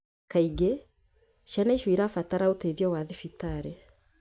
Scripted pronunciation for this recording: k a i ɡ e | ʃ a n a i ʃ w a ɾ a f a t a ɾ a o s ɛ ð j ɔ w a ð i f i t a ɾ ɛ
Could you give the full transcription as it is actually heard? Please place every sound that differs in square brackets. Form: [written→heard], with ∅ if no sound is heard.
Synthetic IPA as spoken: k a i ɡ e | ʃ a n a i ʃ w [a→i] ɾ a f a t a ɾ a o [s→t] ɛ ð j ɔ w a ð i f i t a ɾ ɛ